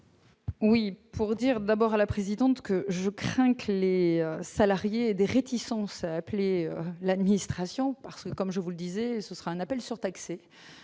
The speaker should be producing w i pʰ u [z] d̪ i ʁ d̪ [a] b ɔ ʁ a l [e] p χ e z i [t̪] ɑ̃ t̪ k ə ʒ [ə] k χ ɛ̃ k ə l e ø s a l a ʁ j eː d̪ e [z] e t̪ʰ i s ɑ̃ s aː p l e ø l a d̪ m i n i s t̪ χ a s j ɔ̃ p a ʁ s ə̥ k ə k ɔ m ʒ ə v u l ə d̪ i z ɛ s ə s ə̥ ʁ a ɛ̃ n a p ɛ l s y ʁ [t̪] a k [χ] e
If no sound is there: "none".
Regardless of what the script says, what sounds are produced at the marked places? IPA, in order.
ʁ, a, a, d̪, ə, ʁ, t̪, s

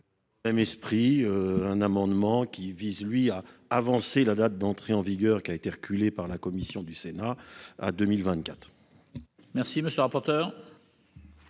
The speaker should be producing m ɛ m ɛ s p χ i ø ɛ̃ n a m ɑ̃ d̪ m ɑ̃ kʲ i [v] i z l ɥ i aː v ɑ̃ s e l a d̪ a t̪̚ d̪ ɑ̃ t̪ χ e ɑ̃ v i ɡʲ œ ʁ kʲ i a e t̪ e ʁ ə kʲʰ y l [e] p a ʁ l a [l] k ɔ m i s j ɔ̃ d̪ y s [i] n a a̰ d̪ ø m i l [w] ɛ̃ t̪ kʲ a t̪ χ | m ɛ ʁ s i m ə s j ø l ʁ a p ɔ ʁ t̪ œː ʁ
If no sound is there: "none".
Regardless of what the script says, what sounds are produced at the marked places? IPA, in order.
v, e, none, e, v

